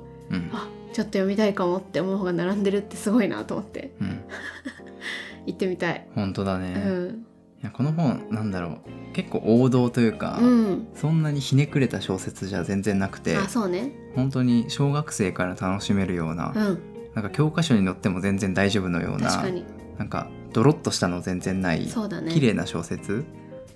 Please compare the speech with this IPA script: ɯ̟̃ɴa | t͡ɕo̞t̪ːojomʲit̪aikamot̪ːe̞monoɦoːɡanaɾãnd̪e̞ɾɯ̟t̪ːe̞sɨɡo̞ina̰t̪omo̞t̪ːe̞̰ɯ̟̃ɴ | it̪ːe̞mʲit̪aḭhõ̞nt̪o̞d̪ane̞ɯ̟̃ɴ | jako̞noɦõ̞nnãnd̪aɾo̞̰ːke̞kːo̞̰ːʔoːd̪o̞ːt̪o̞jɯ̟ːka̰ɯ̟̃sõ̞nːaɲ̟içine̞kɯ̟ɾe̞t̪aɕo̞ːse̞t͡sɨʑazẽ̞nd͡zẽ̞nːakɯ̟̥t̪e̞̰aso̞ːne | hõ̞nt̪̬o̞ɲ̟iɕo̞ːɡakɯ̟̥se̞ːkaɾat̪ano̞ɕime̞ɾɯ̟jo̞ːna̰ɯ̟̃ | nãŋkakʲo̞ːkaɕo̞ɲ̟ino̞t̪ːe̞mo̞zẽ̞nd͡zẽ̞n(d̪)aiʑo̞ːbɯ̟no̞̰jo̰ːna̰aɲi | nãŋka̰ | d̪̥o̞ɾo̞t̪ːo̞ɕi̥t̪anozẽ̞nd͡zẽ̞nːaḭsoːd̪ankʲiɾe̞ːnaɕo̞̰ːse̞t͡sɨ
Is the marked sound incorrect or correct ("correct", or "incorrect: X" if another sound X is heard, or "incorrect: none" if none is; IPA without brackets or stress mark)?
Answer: correct